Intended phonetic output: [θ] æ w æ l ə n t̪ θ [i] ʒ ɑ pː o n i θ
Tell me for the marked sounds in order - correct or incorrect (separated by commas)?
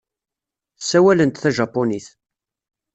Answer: incorrect, incorrect